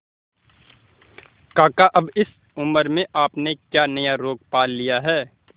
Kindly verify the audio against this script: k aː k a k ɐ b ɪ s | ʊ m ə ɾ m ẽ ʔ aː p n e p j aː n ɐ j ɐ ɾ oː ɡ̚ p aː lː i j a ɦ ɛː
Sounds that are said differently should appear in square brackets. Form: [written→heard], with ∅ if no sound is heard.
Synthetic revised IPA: k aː k a [k→ʔ] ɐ b ɪ s | ʊ m ə ɾ m ẽ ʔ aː p n e [p→k] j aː n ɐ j [ɐ→a] ɾ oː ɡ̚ p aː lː i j a ɦ ɛː